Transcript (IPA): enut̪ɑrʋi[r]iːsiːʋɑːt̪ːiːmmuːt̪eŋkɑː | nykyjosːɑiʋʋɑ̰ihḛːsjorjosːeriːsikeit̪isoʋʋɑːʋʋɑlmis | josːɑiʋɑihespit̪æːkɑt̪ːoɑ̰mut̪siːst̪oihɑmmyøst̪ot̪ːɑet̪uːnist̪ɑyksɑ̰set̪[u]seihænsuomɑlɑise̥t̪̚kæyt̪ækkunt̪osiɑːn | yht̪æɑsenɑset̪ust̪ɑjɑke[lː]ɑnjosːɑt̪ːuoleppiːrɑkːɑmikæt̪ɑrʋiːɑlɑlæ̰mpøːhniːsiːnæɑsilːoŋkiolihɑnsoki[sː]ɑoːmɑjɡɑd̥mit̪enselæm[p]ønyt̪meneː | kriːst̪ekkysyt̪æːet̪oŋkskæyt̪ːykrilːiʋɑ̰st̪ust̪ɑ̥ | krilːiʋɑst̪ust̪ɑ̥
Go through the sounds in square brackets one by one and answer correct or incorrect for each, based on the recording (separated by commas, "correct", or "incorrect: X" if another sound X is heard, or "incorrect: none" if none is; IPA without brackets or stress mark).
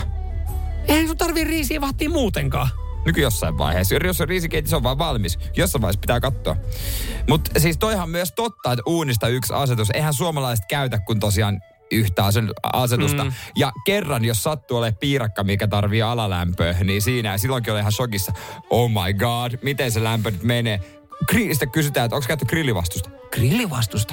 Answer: correct, correct, incorrect: rː, correct, correct